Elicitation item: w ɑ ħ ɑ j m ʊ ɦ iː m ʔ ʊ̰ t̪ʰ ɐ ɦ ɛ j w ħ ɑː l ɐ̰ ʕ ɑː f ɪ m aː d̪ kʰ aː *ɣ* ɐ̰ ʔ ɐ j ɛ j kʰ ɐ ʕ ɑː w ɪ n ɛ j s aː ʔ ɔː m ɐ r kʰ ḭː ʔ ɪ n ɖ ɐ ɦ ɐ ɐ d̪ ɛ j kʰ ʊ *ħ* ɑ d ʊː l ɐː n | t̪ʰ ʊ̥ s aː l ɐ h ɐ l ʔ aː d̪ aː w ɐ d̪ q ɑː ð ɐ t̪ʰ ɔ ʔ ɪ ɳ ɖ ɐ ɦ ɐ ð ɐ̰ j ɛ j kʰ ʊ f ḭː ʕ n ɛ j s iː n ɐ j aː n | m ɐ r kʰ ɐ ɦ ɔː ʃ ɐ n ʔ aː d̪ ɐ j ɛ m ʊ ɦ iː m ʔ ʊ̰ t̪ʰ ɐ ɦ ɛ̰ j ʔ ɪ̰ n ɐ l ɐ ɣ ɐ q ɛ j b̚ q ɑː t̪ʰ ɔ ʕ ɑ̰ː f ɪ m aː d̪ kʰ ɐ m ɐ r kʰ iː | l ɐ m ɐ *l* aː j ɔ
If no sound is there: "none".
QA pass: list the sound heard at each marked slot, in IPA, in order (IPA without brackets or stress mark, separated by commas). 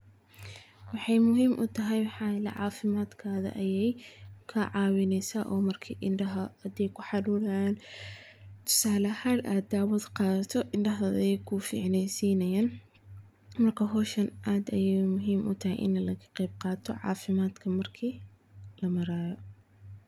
ð, ħ, ɾ